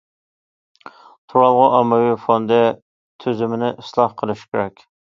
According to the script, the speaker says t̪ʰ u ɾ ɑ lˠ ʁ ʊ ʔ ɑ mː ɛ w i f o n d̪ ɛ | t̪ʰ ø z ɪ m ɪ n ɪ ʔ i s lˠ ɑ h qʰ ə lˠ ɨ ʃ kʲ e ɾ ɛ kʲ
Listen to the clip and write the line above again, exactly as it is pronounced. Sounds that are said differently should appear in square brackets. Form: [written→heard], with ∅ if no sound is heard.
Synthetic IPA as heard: t̪ʰ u ɾ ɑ lˠ ʁ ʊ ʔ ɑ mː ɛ w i f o n d̪ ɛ | t̪ʰ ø z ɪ m ɪ n ɪ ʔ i s lˠ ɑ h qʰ ə lˠ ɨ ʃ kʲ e ɾ ɛ kʲ